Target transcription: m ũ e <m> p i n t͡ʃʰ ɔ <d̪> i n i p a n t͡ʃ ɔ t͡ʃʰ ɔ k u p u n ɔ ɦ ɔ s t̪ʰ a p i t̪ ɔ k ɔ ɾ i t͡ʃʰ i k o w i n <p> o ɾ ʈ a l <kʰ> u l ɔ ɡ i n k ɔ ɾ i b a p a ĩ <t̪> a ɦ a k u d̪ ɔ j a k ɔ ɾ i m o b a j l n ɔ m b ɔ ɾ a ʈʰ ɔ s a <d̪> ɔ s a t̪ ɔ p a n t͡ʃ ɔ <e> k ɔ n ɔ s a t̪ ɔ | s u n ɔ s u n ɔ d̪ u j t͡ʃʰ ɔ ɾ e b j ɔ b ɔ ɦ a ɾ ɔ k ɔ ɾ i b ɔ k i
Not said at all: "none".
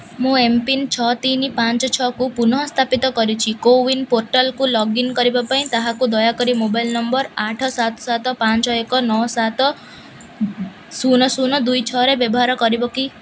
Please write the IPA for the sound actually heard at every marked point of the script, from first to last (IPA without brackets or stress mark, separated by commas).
m, t̪, p, k, t̪, t̪, e